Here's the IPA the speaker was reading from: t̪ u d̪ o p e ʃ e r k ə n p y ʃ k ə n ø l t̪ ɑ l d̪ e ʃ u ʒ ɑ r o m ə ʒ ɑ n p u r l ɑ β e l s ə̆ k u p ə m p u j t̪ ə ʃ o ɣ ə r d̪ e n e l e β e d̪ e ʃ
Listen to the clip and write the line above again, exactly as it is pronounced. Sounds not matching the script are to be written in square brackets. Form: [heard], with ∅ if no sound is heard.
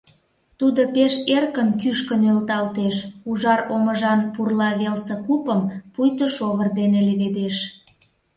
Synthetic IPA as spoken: t̪ u d̪ o p e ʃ e r k ə n [k] y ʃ k ə n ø l t̪ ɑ l [t̪] e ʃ u ʒ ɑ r o m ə ʒ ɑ n p u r l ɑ β e l s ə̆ k u p ə m p u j t̪ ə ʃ o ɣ ə r d̪ e n e l e β e d̪ e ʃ